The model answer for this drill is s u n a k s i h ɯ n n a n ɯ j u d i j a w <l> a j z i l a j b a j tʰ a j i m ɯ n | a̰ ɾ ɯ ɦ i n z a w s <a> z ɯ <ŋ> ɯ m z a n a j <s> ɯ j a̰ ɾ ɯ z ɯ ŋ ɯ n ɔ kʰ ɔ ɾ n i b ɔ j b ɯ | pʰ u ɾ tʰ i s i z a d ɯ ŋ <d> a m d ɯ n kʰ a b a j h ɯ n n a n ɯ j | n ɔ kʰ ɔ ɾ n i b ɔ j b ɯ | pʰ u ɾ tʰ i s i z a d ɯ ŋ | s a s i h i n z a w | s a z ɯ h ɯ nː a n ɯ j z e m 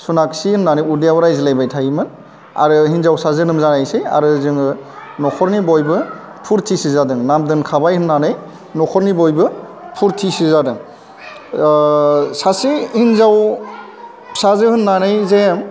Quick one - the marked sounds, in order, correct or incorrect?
incorrect: ɾ, correct, incorrect: n, correct, incorrect: n

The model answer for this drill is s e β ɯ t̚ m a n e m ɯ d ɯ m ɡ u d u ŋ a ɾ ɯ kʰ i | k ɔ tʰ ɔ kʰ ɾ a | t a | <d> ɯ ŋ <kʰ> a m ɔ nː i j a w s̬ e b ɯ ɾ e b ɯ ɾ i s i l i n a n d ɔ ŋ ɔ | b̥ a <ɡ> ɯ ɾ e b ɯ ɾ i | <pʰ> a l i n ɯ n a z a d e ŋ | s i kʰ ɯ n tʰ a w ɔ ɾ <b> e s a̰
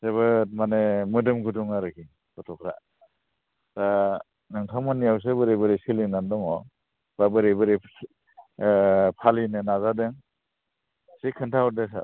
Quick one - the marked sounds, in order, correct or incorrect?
incorrect: n, incorrect: tʰ, incorrect: b, correct, incorrect: d

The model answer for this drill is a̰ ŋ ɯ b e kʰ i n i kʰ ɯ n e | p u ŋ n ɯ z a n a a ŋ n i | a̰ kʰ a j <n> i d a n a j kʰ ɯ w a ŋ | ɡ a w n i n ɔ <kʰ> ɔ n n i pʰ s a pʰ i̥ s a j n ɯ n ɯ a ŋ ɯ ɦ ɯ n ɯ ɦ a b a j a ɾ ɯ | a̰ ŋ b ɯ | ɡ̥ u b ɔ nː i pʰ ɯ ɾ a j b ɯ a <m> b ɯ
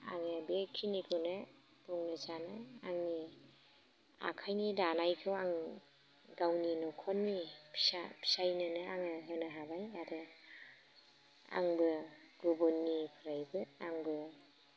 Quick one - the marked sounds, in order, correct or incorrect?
correct, correct, incorrect: ŋ

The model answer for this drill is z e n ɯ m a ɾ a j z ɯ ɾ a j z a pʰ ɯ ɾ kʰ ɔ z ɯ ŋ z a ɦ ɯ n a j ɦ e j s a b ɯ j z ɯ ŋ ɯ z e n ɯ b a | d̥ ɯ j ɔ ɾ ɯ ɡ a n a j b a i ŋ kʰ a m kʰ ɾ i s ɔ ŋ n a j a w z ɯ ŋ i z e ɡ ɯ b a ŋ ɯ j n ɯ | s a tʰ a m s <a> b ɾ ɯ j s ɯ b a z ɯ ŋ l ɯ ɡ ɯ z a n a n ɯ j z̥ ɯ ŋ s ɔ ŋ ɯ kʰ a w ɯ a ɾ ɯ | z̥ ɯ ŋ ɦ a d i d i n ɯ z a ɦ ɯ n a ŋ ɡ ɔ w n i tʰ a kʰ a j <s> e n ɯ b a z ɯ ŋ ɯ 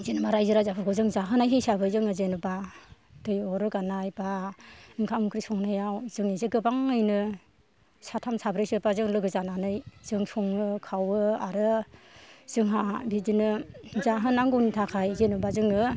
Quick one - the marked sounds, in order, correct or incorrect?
correct, incorrect: z

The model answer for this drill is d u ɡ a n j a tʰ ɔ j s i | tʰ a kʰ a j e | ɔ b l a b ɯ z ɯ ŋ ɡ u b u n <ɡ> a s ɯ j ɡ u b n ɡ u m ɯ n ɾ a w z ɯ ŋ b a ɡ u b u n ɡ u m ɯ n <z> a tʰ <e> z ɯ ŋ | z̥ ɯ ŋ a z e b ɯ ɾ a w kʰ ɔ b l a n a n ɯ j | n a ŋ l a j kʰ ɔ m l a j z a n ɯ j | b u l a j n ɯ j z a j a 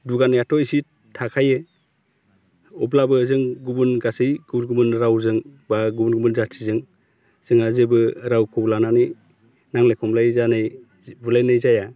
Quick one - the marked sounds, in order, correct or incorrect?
correct, correct, incorrect: i

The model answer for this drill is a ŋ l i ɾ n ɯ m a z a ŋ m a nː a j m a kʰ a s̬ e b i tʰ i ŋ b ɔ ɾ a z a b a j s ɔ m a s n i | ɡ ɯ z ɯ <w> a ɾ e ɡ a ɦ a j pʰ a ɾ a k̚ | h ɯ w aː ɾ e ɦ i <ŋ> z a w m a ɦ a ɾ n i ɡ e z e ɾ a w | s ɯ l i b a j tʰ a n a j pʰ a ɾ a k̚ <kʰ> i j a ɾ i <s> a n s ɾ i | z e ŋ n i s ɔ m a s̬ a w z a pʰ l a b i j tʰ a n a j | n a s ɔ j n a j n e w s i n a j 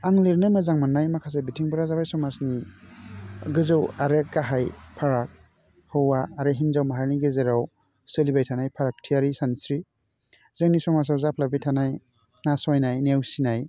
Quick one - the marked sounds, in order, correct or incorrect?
correct, incorrect: n, incorrect: tʰ, correct

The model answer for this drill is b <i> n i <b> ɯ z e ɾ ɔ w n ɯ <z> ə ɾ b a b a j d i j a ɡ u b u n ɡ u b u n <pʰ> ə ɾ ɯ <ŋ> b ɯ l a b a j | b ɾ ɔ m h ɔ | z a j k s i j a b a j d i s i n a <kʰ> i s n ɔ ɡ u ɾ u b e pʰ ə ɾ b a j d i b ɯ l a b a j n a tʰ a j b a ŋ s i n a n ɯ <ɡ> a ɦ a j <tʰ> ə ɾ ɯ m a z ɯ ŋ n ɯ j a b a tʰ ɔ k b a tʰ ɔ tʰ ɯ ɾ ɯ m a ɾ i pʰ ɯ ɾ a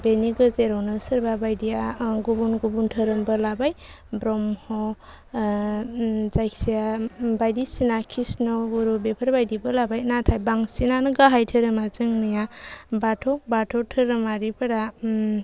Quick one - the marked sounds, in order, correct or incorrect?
incorrect: e, incorrect: ɡ, incorrect: s, incorrect: tʰ, incorrect: m, correct, correct, correct

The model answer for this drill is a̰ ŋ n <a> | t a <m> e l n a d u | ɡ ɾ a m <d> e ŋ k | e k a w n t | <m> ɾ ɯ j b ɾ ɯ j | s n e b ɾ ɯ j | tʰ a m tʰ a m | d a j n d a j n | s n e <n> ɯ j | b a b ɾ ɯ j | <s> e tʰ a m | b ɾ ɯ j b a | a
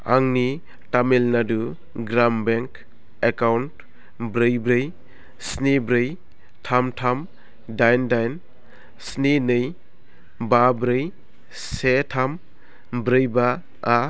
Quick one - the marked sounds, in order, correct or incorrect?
incorrect: i, correct, incorrect: b, incorrect: b, correct, correct

